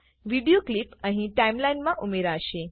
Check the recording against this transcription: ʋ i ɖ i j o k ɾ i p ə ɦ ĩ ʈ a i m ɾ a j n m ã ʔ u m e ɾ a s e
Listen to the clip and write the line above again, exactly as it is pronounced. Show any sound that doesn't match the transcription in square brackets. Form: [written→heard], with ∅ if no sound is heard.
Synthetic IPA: ʋ i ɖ i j o k [ɾ→l] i p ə ɦ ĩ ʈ a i m [ɾ→l] a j n m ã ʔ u m e ɾ a [s→ʃ] e